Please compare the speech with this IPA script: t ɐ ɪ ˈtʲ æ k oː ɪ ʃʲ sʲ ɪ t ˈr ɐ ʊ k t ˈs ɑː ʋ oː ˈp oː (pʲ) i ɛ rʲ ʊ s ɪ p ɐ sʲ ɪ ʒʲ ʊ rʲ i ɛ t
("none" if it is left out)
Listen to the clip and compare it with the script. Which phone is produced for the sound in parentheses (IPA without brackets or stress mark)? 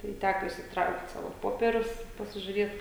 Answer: pʲ